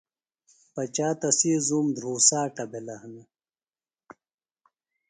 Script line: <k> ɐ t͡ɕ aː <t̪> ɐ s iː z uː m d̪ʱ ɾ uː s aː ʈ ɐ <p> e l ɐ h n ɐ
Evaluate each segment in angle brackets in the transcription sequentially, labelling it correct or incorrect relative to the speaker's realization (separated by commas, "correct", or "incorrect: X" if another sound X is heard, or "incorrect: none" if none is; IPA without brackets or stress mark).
incorrect: p, correct, incorrect: b